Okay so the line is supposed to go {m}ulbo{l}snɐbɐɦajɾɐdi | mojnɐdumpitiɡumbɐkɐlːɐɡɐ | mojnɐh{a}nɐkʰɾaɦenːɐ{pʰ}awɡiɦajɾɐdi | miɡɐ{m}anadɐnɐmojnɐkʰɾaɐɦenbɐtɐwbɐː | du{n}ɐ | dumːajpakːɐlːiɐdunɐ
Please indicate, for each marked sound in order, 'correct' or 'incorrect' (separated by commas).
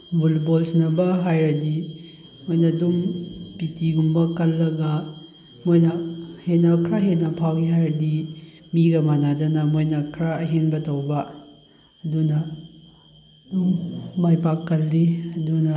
incorrect, correct, incorrect, correct, correct, correct